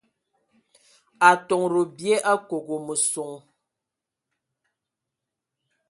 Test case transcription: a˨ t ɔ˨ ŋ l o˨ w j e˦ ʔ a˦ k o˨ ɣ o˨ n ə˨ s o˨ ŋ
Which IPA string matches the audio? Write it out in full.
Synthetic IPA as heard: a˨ t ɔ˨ ŋ ɾ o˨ b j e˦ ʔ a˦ k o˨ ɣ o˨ m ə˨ s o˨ ŋ